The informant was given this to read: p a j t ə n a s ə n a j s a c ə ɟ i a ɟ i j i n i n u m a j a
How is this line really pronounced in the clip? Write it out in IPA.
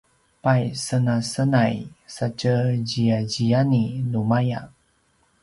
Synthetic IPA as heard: p a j s ə n a s ə n a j s a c ə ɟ i a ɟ i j a n i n u m a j a